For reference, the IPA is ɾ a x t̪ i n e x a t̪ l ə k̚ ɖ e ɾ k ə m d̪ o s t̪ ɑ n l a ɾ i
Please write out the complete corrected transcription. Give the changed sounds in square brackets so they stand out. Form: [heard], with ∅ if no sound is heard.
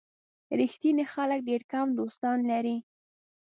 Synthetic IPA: ɾ [i] x t̪ i n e x a [∅] l ə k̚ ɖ e ɾ k [a] m d̪ o s t̪ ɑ n l a ɾ i